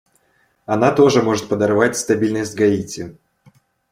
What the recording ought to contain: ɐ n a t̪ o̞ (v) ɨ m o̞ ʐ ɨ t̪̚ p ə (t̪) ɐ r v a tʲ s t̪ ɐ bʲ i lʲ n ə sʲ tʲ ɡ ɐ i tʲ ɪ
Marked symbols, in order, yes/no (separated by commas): no, no